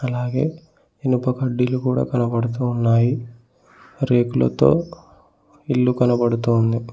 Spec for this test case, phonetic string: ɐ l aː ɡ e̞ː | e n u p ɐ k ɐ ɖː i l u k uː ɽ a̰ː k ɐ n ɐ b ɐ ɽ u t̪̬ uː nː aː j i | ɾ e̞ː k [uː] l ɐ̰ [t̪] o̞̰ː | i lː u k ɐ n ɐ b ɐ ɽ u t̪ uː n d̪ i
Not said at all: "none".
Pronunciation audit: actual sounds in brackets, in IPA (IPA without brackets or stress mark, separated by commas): u, t̪